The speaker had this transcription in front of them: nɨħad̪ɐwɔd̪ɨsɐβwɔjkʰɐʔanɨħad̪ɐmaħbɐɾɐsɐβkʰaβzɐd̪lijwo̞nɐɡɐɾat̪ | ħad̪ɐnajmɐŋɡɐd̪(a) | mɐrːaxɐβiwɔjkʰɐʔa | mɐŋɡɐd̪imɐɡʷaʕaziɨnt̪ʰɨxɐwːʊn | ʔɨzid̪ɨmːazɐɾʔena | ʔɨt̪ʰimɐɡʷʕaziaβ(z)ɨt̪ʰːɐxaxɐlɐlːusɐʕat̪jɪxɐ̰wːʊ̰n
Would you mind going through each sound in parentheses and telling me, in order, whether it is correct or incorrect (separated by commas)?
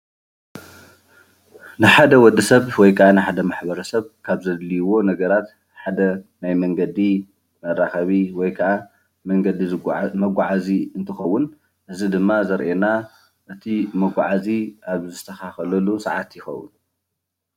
incorrect, correct